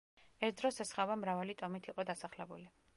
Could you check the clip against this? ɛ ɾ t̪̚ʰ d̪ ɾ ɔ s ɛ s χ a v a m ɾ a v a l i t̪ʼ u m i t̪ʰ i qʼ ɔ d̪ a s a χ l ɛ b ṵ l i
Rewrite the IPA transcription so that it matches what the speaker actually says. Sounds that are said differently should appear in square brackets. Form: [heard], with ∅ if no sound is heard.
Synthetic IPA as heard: ɛ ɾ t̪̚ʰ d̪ ɾ ɔ s ɛ s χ a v a m ɾ a v a l i t̪ʼ [ɔ] m i t̪ʰ i qʼ ɔ d̪ a s a χ l ɛ b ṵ l i